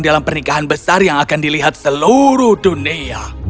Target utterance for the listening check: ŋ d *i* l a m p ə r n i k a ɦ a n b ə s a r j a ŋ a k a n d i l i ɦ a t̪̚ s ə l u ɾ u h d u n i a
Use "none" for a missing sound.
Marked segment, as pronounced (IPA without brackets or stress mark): a